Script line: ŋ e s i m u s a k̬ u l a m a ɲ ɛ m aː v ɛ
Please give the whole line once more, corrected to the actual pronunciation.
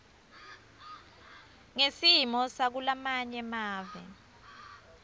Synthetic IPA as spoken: ŋ e s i m ɔ s a k̬ u l a m a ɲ ɛ m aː v ɛ